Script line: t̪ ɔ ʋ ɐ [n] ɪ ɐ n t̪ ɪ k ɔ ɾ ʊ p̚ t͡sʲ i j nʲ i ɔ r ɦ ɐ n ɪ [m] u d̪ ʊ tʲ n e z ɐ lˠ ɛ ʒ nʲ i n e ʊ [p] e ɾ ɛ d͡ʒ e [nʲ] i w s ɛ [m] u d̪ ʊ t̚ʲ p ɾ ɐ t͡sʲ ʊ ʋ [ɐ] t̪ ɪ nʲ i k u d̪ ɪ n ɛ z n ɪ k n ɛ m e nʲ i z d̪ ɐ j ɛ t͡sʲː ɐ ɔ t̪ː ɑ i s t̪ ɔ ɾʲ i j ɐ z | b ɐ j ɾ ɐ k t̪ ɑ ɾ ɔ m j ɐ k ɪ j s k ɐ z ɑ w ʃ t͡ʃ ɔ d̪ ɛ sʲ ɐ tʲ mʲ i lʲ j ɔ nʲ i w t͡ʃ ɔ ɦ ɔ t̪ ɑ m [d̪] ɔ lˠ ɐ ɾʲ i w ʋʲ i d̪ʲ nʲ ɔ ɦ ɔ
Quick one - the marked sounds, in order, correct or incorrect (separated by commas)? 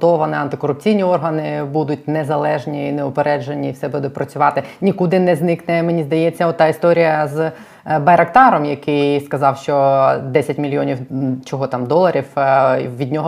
correct, incorrect, correct, correct, incorrect, incorrect, correct